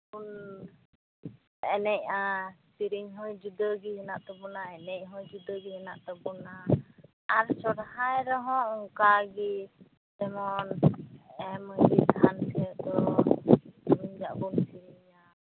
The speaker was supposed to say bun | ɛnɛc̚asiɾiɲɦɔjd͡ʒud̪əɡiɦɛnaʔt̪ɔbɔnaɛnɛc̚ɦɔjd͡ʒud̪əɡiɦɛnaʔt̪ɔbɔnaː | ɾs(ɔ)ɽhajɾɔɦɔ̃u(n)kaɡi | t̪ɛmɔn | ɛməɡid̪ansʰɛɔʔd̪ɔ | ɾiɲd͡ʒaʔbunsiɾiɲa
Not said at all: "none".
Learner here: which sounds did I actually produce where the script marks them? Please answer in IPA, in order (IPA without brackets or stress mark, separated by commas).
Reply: ɔ, ŋ